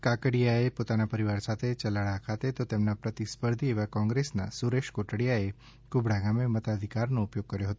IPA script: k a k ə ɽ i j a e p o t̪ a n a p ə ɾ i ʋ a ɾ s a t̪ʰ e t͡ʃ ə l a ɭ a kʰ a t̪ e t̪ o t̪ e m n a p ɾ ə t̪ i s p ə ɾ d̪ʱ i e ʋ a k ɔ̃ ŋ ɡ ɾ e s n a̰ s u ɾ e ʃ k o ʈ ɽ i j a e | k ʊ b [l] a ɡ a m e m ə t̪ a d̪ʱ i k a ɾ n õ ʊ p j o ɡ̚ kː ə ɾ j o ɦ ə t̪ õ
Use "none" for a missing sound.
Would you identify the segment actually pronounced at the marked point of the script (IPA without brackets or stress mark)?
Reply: ɽ